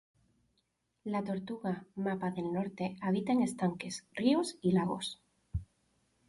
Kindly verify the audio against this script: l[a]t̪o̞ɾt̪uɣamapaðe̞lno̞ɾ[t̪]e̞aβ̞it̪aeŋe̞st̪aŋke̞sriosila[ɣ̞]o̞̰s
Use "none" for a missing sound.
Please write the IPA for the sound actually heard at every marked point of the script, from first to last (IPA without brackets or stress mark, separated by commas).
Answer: a, t̪, ɣ̞